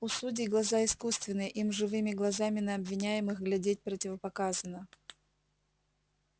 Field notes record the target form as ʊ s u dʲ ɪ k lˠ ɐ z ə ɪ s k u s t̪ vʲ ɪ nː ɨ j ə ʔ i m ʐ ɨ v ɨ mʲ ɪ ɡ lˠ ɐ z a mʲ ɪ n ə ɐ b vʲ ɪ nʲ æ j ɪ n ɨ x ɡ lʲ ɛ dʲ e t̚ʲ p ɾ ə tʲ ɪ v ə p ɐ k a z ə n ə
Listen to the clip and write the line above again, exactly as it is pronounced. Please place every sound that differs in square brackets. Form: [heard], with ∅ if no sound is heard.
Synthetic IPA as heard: ʊ s u dʲ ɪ [ɡ] lˠ ɐ z [a] ɪ s k u s t̪ vʲ ɪ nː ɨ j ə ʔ i m ʐ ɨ v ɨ mʲ ɪ ɡ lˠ ɐ z a mʲ ɪ n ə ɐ b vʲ ɪ nʲ æ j ɪ [m] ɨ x ɡ lʲ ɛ dʲ e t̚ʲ p ɾ ə tʲ ɪ v ə p ɐ k a z ə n ə